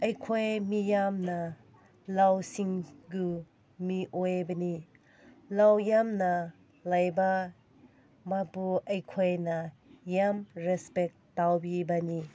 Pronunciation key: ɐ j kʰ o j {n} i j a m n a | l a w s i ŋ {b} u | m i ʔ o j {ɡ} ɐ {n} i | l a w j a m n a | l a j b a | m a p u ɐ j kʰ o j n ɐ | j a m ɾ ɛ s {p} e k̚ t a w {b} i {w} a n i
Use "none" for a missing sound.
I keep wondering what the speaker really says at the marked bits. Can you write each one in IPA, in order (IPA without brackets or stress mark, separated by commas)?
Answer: m, ɡ, b, n, p, b, b